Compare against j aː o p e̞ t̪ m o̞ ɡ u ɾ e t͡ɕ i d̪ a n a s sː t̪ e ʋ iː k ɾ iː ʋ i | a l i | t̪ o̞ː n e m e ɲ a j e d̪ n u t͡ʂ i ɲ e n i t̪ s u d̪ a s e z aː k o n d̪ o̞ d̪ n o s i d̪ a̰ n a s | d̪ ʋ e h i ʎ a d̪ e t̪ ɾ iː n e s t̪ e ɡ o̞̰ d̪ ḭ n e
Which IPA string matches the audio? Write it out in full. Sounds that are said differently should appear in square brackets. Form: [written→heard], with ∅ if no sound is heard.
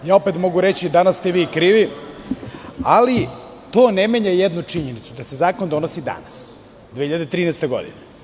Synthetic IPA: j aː o p e̞ t̪ m o̞ ɡ u ɾ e t͡ɕ i d̪ a n a s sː t̪ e ʋ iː k ɾ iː ʋ i | a l i | t̪ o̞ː n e m e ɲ a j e d̪ n u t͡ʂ i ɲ e n i t̪ s u d̪ a s e z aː k o n d̪ o̞ [d̪→∅] n o s i d̪ a̰ n a s | d̪ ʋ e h i ʎ a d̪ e t̪ ɾ iː n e s t̪ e ɡ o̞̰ d̪ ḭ n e